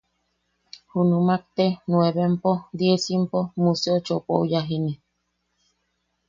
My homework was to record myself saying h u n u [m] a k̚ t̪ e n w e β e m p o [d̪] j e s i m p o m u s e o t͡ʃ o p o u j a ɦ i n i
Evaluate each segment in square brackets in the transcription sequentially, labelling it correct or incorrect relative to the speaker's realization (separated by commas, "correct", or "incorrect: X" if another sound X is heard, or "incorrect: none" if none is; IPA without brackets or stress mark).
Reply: correct, correct